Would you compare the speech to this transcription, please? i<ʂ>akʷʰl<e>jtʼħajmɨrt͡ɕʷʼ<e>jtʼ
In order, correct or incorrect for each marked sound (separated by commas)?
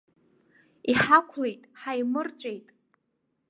incorrect, correct, correct